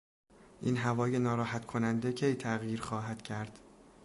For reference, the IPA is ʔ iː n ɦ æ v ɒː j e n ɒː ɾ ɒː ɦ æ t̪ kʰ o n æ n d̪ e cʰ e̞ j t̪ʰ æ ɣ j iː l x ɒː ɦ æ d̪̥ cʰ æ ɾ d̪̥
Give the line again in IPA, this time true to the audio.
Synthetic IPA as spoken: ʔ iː n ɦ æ v ɒː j e n ɒː ɾ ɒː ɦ æ t̪ kʰ o n æ n d̪ e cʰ e̞ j t̪ʰ æ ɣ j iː ɾ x ɒː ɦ æ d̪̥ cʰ æ ɾ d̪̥